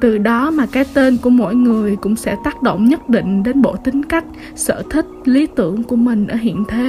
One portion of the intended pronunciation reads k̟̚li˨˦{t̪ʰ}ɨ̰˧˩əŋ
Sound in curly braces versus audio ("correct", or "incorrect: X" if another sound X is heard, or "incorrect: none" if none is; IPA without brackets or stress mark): incorrect: t̪